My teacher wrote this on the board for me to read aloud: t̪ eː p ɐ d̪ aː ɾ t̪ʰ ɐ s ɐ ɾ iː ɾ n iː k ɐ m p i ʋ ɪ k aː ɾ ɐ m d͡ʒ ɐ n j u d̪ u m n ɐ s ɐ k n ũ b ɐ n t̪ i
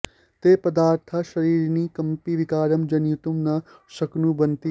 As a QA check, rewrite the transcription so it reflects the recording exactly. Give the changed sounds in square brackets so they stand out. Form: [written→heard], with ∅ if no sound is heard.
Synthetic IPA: t̪ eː p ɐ d̪ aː ɾ t̪ʰ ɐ [s→ʃ] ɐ ɾ iː ɾ n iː k ɐ m p i ʋ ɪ k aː ɾ ɐ m d͡ʒ ɐ n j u [d̪→t̪] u m n ɐ s ɐ k n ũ b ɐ n t̪ i